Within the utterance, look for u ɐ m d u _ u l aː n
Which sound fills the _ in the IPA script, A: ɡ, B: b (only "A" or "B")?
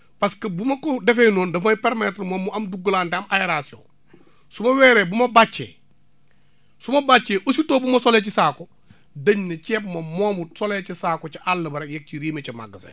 A